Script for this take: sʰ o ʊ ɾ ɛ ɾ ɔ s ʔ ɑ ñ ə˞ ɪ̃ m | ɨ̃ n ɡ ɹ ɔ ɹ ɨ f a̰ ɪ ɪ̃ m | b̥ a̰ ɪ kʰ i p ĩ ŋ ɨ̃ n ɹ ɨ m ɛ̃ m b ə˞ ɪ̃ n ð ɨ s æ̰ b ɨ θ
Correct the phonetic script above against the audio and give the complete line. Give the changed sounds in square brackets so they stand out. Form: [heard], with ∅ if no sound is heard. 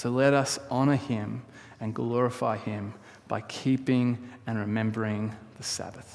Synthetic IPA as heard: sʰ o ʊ [l] ɛ ɾ [ʌ] s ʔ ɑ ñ ə˞ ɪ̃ m | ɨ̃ n ɡ [l] ɔ ɹ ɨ f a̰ ɪ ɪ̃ m | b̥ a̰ ɪ kʰ i p [ɪ̃] ŋ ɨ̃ n ɹ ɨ m ɛ̃ m b ə˞ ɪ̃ [ŋ] ð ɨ s æ̰ b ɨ θ